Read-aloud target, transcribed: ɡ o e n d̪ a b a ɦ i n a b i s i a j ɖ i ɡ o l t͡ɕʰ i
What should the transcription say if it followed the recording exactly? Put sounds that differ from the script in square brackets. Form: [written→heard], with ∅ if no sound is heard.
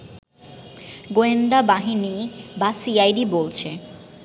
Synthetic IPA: ɡ o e n d̪ a b a ɦ i n [a→i] b [i→a] s i a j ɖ i [ɡ→b] o l t͡ɕʰ [i→e]